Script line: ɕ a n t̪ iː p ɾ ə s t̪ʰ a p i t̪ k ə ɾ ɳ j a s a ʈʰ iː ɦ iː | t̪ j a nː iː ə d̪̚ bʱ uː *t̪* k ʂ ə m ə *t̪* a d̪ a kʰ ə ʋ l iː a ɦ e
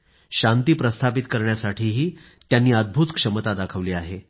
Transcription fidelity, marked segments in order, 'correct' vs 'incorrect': correct, correct

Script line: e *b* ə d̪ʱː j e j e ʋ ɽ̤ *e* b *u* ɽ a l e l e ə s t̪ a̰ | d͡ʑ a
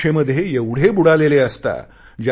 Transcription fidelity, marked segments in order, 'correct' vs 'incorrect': incorrect: m, correct, correct

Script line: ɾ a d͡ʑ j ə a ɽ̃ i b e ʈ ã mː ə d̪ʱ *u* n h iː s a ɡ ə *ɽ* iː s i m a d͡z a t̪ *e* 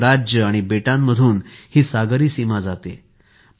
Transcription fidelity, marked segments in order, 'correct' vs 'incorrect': incorrect: uː, incorrect: ɾ, correct

